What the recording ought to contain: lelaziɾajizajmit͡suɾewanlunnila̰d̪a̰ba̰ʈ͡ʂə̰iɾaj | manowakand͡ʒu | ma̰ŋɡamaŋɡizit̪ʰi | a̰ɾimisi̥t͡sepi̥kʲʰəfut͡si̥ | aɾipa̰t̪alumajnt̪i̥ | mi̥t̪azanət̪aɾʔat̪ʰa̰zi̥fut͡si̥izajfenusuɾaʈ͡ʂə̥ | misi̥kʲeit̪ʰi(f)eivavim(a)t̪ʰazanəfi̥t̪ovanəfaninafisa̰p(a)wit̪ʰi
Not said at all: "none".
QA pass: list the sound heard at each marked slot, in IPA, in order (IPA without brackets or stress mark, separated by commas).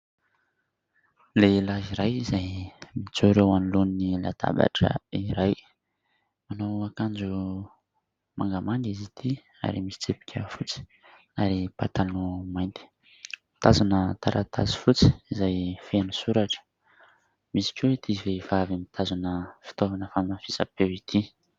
v, i, e